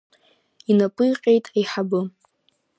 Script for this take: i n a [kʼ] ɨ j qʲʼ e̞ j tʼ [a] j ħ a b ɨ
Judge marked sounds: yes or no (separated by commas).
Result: no, yes